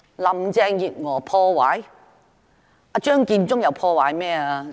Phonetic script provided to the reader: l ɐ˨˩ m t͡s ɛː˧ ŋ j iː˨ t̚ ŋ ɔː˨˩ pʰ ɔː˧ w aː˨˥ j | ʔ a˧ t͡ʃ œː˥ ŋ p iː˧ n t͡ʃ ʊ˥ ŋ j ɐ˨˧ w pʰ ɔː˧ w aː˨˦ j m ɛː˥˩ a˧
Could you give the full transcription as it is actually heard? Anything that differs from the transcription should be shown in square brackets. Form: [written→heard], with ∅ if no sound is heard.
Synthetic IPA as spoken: l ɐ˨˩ m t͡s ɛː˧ ŋ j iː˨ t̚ ŋ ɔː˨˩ pʰ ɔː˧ w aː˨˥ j | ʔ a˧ t͡ʃ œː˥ ŋ [p→k] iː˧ n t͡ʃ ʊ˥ ŋ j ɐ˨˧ w pʰ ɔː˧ w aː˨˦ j m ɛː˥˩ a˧